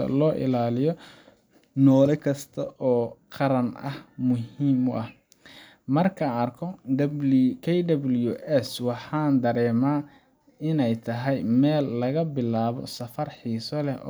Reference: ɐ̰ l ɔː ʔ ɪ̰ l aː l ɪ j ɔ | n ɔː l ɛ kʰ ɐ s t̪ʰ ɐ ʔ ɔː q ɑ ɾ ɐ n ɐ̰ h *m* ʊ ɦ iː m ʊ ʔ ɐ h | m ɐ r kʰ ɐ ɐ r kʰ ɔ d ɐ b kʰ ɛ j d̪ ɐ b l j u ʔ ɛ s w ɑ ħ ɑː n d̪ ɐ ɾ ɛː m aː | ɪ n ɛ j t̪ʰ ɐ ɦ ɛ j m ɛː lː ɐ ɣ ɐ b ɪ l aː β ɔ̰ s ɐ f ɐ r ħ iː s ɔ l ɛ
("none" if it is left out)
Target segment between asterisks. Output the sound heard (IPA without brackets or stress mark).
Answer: m